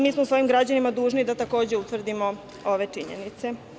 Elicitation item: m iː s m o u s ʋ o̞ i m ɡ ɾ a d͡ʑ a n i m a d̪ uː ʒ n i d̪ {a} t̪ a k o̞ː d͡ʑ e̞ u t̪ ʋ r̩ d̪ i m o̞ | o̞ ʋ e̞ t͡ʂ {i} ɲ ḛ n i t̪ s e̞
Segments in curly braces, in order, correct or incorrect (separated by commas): correct, correct